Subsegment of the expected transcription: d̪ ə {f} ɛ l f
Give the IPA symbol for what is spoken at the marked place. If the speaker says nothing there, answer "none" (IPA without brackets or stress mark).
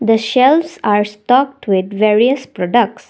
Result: ʃ